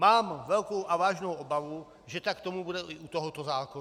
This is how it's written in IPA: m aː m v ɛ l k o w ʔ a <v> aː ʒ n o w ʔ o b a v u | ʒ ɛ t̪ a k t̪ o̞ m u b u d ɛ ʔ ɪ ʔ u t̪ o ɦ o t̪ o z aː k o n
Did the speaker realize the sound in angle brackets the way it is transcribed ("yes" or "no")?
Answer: yes